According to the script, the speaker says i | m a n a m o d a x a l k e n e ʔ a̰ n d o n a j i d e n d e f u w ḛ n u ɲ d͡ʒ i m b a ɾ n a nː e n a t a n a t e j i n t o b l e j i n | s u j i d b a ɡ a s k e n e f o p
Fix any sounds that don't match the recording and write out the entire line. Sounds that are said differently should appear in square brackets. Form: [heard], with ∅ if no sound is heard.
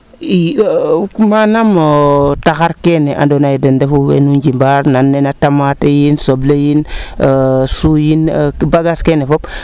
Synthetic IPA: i | m a n a m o [t] a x a [ɾ] k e n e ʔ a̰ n d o n a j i d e n d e f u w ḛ n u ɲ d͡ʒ i m b a ɾ n a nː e n a t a [m] a t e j i n [s] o b l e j i n | s u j i [n] b a ɡ a s k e n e f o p

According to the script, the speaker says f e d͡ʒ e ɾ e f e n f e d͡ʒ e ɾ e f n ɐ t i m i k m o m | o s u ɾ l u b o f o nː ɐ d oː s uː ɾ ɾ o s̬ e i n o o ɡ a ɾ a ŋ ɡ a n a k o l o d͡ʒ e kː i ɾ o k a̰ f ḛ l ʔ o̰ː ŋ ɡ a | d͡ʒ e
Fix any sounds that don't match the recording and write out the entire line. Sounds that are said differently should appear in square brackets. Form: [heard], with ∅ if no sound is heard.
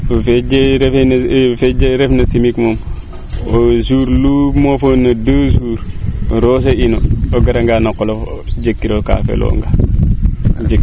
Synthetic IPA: f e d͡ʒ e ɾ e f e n f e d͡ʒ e ɾ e f n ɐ [s] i m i k m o m | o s u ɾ l u [m] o f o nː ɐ d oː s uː ɾ ɾ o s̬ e i n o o ɡ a ɾ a ŋ ɡ a n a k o l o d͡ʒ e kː i ɾ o k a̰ f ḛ l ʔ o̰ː ŋ ɡ a | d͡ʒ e

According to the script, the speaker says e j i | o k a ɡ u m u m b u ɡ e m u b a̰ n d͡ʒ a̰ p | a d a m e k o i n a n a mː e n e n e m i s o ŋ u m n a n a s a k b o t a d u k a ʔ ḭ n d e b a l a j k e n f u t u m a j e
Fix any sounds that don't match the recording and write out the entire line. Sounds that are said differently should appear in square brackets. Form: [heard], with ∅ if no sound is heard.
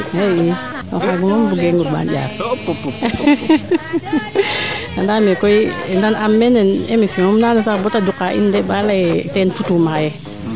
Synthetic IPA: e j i | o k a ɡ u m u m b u ɡ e [ŋ] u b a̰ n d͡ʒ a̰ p | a d a m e k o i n a n a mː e n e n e m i s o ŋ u m n a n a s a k b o t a d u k a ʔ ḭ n d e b a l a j [t] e n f u t u m a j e

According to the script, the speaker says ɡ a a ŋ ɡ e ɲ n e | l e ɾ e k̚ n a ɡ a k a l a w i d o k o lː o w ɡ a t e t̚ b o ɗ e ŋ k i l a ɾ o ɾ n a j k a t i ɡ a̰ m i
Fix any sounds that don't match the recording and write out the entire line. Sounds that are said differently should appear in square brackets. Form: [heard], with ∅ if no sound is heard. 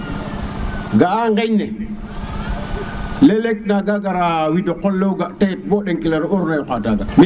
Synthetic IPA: ɡ a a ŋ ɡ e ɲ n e | l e [l] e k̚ n a ɡ a [ɡ] a [ɾ] a w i d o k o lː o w ɡ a t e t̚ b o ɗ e ŋ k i l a ɾ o ɾ n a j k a t [a] ɡ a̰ m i

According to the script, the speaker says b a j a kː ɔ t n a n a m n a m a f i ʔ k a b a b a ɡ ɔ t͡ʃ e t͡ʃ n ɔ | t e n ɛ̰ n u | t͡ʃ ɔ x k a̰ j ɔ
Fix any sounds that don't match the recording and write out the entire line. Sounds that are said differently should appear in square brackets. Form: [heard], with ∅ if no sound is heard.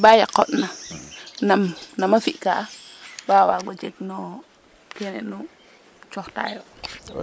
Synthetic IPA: b a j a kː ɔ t n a n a m n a m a f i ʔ k a b a [w] a ɡ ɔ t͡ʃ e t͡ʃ n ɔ | [k] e n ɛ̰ n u | t͡ʃ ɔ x [t] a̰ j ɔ

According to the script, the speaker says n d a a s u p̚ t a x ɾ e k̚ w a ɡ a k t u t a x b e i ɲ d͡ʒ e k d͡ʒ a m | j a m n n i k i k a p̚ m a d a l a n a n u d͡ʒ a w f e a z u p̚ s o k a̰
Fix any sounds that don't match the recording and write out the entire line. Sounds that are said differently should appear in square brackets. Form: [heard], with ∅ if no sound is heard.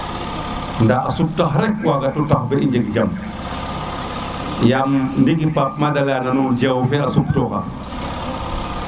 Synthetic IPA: n d a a s u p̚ t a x ɾ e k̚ w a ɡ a [∅] t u t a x b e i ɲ d͡ʒ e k d͡ʒ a m | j a m n [d] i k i [p] a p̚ m a d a l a n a n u d͡ʒ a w f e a [s] u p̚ [t] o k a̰

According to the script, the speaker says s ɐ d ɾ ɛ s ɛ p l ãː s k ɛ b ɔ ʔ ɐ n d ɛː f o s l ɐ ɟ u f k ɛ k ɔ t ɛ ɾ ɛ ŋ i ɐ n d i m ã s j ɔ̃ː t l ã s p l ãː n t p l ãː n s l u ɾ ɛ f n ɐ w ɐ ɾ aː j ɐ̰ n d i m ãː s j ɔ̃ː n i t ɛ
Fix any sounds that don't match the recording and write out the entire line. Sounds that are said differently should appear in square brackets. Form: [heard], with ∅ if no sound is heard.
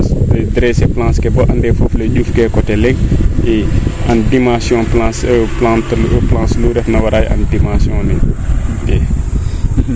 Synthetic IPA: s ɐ d ɾ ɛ s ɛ p l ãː s k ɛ b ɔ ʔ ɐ n d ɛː f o [f] l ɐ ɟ u f k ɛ k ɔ t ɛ [l] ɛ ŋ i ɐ n d i m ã s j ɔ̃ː [p] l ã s p l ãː n t p l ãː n s l u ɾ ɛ f n ɐ w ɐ ɾ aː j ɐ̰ n d i m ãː s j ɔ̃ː n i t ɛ

